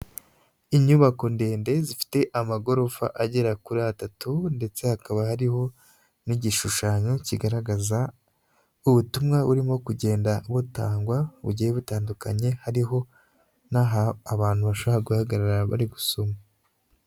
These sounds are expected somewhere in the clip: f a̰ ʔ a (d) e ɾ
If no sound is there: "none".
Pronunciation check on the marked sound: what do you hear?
ɟ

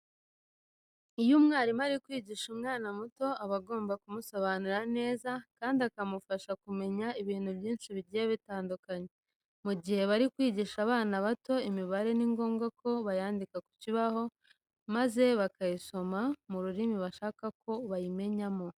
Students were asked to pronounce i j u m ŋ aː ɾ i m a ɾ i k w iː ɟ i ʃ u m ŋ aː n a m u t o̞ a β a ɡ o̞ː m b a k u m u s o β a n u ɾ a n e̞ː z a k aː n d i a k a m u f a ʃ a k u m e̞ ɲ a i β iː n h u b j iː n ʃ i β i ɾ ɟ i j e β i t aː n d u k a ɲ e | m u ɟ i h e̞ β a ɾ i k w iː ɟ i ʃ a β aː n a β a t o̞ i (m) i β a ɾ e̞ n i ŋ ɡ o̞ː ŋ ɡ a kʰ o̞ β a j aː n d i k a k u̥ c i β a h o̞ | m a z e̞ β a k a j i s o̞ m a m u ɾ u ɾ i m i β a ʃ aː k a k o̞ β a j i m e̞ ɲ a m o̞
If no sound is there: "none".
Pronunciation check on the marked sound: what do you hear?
m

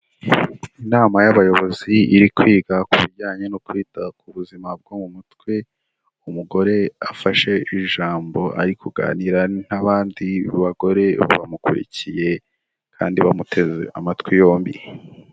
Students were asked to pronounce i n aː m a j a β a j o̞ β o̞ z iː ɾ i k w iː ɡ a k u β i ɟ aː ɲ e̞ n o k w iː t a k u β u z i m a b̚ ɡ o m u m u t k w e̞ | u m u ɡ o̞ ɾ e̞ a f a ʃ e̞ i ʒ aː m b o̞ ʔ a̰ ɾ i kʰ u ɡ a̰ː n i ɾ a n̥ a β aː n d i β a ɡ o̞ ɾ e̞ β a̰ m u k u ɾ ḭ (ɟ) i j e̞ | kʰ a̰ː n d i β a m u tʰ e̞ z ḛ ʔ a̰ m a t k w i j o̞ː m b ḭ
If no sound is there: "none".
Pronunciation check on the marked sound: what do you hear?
c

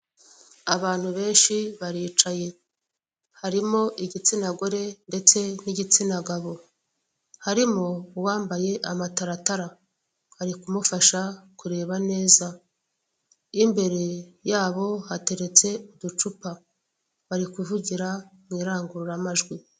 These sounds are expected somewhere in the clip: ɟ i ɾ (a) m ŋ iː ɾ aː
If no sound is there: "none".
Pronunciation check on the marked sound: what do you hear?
a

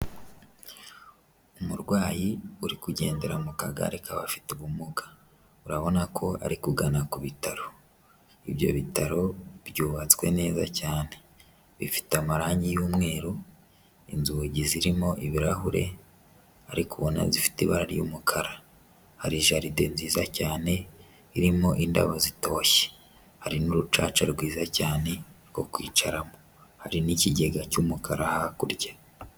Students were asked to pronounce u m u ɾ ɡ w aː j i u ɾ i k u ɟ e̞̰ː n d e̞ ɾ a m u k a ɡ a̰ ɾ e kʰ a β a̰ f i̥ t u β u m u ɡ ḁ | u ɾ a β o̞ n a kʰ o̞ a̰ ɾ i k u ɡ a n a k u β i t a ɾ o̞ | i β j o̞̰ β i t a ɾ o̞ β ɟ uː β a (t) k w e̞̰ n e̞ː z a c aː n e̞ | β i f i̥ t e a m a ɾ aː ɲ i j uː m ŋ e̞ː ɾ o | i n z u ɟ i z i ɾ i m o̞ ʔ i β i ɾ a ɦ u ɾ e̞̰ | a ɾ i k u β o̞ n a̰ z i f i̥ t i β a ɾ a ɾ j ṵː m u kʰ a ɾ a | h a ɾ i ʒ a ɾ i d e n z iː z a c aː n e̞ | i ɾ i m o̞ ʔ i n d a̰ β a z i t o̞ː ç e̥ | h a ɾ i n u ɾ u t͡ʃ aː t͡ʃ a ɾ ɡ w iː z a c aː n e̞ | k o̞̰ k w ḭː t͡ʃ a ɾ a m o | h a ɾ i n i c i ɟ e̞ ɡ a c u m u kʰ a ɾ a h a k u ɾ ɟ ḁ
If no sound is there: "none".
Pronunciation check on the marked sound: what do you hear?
t͡s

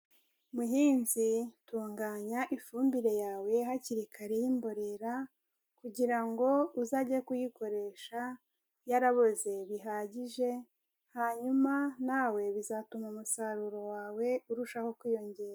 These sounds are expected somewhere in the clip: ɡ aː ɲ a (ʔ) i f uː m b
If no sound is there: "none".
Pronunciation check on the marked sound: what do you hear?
ʔ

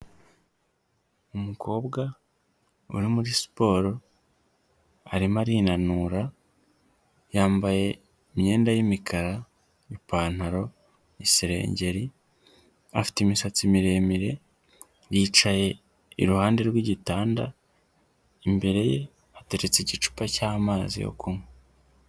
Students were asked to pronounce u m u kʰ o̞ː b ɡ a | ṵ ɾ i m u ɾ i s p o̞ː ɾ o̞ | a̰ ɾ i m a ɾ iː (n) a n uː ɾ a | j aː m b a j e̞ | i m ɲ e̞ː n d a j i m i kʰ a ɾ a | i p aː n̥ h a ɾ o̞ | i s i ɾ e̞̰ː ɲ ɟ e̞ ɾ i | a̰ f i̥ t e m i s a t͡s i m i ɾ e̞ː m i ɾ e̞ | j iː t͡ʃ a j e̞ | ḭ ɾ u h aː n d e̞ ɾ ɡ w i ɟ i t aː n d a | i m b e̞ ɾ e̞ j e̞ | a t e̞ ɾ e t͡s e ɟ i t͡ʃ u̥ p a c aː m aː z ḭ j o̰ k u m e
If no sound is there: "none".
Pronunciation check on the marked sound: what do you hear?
n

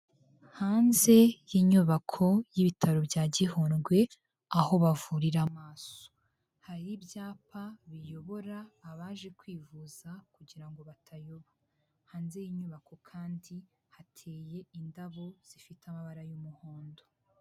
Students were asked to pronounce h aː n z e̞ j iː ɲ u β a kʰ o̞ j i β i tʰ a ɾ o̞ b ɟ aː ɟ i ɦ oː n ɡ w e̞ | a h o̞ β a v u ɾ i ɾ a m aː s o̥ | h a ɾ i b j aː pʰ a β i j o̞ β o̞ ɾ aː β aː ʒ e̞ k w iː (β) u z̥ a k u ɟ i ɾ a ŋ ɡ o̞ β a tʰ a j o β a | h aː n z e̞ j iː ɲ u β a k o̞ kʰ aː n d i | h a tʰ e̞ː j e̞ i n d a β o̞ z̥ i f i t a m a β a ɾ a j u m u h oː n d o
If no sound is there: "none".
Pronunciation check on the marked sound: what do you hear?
v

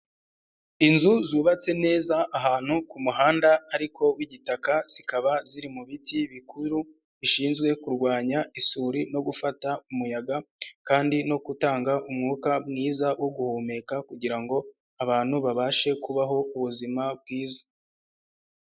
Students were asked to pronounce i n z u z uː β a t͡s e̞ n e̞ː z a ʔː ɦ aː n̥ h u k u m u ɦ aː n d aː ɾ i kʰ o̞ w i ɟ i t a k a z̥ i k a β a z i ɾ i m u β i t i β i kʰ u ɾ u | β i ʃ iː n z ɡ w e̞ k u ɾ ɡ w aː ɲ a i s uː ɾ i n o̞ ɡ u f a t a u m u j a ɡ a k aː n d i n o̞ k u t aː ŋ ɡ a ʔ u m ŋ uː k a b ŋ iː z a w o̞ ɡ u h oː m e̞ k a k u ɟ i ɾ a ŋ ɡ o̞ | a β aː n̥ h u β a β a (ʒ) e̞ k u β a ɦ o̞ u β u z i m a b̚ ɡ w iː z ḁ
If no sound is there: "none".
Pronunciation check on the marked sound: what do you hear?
ʃ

